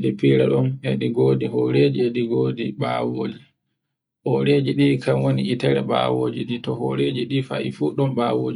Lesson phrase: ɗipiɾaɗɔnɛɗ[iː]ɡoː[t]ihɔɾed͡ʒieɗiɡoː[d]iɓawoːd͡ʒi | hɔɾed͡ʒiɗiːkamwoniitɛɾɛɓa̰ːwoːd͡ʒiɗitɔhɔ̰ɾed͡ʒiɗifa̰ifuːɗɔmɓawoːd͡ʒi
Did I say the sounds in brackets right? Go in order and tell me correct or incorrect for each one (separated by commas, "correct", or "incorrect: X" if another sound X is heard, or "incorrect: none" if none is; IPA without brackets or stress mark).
incorrect: i, incorrect: d, correct